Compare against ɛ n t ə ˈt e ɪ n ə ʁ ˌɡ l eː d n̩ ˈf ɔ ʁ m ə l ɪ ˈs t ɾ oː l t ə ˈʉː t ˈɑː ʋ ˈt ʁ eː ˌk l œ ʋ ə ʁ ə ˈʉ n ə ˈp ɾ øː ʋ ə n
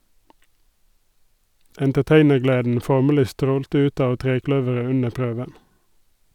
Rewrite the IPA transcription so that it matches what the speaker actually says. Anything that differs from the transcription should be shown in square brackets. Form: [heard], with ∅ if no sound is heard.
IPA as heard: ɛ n t ə ˈt e ɪ n ə ʁ ˌɡ l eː d n̩ ˈf ɔ ʁ m ə l ɪ ˈs t ɾ oː l t ə ˈʉː t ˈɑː ʋ ˈt ʁ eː ˌk l œ ʋ ə ʁ ə ˈʉ n ə ˈp ɾ øː ʋ ə n